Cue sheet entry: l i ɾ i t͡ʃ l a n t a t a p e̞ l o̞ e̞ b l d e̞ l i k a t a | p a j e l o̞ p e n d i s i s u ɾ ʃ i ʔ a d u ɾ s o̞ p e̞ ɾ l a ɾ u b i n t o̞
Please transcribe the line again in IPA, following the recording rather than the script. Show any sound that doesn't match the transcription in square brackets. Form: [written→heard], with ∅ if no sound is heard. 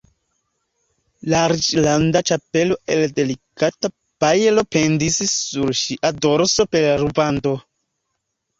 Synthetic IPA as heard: l [i→a] ɾ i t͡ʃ l a n [t→d] a [t→t͡ʃ] a p e̞ l o̞ e̞ [b→∅] l d e̞ l i k a t a | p a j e l o̞ p e n d i s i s u ɾ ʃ i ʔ a d [u→o] ɾ s o̞ p e̞ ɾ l a ɾ u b [i→a] n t o̞